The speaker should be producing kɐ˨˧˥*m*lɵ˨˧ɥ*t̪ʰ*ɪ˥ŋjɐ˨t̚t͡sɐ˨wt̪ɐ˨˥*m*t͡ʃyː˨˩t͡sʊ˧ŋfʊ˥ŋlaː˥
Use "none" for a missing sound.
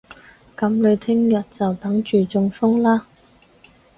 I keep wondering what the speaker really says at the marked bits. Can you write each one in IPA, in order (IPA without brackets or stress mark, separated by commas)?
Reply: m, t̪ʰ, ŋ